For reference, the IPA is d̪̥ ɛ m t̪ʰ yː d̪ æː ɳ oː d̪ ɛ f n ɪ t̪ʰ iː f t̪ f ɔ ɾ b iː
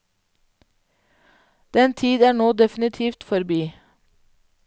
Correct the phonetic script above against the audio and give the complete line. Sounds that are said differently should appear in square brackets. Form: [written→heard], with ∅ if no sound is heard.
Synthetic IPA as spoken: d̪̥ ɛ [m→n] t̪ʰ [yː→iː] d̪ æː ɳ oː d̪ ɛ f n ɪ t̪ʰ iː f t̪ f ɔ ɾ b iː

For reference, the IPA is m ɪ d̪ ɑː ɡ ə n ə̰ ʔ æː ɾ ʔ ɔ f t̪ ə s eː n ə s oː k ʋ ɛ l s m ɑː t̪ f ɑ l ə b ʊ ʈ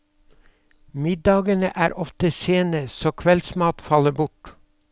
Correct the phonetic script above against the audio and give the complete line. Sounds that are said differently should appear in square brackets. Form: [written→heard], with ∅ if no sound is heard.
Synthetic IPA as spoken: m ɪ d̪ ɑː ɡ ə n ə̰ ʔ æː ɾ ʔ ɔ f t̪ ə s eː n ə s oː [k→kʰ] ʋ ɛ l s m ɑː t̪ f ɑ l ə b ʊ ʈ

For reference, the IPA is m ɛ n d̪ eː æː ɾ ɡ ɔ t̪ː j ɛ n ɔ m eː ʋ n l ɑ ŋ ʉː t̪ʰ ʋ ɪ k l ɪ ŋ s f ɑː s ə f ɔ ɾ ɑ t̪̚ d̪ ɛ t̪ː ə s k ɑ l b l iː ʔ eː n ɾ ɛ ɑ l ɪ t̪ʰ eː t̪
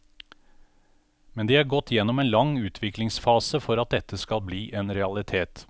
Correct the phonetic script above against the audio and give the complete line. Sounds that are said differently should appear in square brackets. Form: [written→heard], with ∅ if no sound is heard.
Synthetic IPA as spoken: m ɛ n d̪ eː æː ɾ ɡ ɔ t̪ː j ɛ n ɔ m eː [ʋ→∅] n l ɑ ŋ ʉː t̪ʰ ʋ ɪ k l ɪ ŋ s f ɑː s ə f ɔ ɾ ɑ t̪̚ d̪ ɛ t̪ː ə s k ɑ l b l iː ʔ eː n ɾ ɛ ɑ l ɪ t̪ʰ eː t̪

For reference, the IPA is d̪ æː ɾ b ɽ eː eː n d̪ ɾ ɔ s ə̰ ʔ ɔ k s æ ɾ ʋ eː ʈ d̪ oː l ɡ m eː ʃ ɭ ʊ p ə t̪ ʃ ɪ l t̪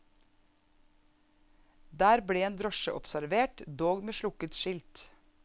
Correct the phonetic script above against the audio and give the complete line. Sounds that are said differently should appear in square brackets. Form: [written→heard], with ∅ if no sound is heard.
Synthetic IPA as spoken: d̪ æː ɾ b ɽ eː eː n d̪ ɾ ɔ [s→ʃ] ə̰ ʔ ɔ [k→p] s æ ɾ ʋ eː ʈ d̪ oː [l→∅] ɡ m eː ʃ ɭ ʊ [p→k] ə t̪ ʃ ɪ l t̪

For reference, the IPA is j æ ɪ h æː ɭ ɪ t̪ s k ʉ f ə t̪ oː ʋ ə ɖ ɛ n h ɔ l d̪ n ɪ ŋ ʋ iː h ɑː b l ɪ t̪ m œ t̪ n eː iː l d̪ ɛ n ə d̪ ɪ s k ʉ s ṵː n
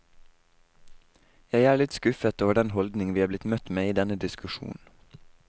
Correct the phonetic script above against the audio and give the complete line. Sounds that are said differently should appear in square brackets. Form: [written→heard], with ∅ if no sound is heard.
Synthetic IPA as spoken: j æ ɪ [h→∅] æː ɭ ɪ t̪ s k ʉ f ə t̪ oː ʋ ə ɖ ɛ n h ɔ l d̪ n ɪ ŋ ʋ iː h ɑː b l ɪ t̪ m œ t̪ [n→m] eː iː [l→∅] d̪ ɛ n ə d̪ ɪ s k ʉ [s→ʃ] ṵː n

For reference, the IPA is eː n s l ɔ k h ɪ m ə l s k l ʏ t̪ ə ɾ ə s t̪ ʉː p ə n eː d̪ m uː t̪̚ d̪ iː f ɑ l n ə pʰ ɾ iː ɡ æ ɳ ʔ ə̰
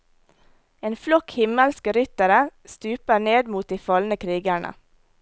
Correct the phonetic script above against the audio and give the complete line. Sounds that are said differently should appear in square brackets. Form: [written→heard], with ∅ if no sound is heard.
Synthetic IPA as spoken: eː n [s→f] l ɔ k h ɪ m ə l s k [l→ɾ] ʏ t̪ ə ɾ ə s t̪ ʉː p ə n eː d̪ m uː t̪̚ d̪ iː f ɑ l n ə [pʰ→kʰ] ɾ iː ɡ æ ɳ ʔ ə̰

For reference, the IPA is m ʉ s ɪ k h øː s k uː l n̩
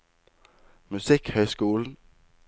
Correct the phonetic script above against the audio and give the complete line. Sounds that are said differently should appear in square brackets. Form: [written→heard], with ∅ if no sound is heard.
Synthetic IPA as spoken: m ʉ s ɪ k h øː s k uː l n̩

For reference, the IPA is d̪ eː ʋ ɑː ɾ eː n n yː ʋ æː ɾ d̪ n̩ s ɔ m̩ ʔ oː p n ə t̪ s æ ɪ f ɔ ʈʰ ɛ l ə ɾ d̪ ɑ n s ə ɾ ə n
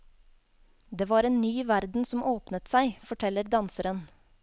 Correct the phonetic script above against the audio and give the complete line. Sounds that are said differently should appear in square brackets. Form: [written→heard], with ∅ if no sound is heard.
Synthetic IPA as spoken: d̪ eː ʋ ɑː ɾ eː n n yː ʋ [æː→æ] ɾ d̪ n̩ s ɔ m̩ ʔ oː p n ə t̪ s æ ɪ f ɔ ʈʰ ɛ l ə ɾ d̪ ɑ n s ə ɾ ə n

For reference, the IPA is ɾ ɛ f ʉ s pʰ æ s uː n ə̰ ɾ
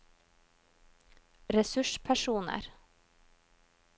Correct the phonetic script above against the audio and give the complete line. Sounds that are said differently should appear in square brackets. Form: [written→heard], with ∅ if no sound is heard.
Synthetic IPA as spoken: ɾ ɛ [f→s] ʉ [s→ʃ] pʰ æ [s→ʃ] uː n ə̰ ɾ

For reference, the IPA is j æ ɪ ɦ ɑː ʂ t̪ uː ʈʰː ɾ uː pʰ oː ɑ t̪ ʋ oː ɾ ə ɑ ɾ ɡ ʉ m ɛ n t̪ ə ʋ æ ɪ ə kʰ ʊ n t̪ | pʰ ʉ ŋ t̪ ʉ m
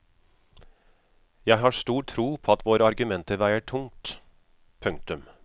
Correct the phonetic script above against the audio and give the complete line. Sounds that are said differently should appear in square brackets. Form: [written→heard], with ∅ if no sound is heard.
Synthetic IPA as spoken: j æ ɪ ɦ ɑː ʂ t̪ uː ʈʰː ɾ uː pʰ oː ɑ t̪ ʋ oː ɾ ə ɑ ɾ ɡ ʉ m ɛ n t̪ ə ʋ æ ɪ ə [kʰ→ʈʰ] ʊ [n→ŋ] t̪ | pʰ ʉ ŋ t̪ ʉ m

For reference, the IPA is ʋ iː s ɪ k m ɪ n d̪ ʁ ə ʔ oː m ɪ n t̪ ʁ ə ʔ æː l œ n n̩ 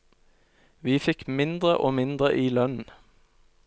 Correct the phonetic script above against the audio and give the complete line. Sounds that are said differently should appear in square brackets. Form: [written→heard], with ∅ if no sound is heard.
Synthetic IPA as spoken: ʋ iː [s→f] ɪ k m ɪ n d̪ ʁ ə ʔ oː m ɪ n [t̪→d̪] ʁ ə ʔ [æː→iː] l œ n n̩

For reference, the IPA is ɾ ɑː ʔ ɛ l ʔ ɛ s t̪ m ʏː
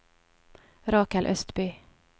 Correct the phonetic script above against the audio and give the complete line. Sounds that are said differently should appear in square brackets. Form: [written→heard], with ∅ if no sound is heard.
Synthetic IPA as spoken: ɾ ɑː [ʔ→k] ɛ l ʔ [ɛ→œ] s t̪ [m→b] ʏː

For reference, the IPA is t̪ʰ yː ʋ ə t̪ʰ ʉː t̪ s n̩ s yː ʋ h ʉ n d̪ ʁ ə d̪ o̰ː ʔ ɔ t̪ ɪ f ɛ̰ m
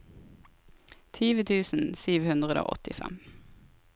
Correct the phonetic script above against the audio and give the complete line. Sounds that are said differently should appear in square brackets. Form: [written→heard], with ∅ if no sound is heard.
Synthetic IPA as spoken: t̪ʰ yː ʋ ə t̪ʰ ʉː [t̪→∅] s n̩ s yː ʋ h ʉ n d̪ ʁ ə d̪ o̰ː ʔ ɔ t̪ ɪ f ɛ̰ m

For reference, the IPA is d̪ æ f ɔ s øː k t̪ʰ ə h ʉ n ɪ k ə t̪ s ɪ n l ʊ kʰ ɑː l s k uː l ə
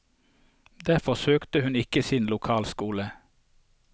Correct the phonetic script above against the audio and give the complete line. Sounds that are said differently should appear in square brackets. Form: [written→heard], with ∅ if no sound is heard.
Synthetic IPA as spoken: d̪ æ f ɔ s øː k [t̪ʰ→t̪] ə h ʉ n ɪ k ə [t̪→∅] s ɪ n l ʊ kʰ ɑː l s k uː l ə

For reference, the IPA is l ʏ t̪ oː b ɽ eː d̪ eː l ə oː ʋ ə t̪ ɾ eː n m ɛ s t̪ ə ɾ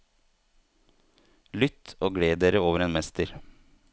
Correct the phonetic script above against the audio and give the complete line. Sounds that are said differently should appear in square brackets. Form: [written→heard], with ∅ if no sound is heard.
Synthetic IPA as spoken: l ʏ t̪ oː [b→ɡ] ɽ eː d̪ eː [l→ɾ] ə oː ʋ ə [t̪→∅] ɾ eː n m ɛ s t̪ ə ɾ

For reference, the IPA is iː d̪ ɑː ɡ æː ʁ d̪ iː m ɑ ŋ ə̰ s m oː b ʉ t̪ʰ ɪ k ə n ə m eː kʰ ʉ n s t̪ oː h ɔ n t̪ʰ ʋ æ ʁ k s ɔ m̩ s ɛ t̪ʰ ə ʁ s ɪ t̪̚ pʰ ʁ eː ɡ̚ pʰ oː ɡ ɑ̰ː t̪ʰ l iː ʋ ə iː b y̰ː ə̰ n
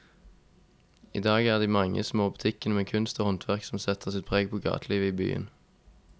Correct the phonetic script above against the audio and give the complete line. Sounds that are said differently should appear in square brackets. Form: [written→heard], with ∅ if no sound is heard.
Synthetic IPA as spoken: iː d̪ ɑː ɡ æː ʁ d̪ iː m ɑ ŋ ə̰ s m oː b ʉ t̪ʰ ɪ k ə n ə m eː kʰ ʉ n s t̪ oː h ɔ n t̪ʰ ʋ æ ʁ k s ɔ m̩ s ɛ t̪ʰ ə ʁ s ɪ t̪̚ pʰ ʁ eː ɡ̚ pʰ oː ɡ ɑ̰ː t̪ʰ l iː ʋ ə iː b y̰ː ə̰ n

